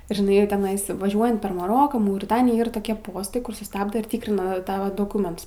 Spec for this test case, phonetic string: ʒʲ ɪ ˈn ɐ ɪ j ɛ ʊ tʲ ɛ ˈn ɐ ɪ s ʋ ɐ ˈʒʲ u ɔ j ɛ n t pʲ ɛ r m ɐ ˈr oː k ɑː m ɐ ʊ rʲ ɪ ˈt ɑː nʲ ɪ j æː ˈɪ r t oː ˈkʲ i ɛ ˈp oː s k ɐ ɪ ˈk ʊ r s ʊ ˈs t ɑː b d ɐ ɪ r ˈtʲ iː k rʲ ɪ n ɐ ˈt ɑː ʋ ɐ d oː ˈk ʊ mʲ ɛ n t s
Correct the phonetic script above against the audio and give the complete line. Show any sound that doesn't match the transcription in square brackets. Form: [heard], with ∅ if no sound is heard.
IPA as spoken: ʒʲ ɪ ˈn ɐ ɪ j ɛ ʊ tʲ ɛ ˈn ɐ ɪ s ʋ ɐ ˈʒʲ u ɔ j ɛ n t pʲ ɛ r m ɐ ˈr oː k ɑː m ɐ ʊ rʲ ɪ ˈt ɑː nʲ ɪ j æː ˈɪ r t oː ˈkʲ i ɛ ˈp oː s [t] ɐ ɪ ˈk ʊ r s ʊ ˈs t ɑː b d ɐ ɪ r ˈtʲ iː k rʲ ɪ n ɐ ˈt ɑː ʋ ɐ d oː ˈk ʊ mʲ ɛ n t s